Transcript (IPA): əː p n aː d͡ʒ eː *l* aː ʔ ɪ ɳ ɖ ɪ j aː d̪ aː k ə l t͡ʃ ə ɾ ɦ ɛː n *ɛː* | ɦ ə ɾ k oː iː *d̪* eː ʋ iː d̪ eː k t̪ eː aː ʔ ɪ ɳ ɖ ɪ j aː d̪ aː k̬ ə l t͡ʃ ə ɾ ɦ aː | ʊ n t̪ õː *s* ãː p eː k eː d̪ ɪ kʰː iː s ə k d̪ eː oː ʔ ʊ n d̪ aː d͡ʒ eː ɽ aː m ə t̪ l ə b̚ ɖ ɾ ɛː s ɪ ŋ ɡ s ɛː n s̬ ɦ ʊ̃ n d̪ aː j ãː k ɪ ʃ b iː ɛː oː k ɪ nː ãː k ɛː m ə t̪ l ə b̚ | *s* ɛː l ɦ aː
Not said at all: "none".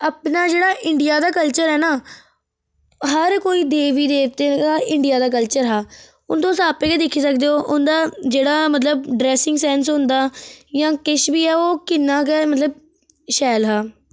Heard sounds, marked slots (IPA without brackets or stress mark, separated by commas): ɽ, aː, d̪, s, ʃ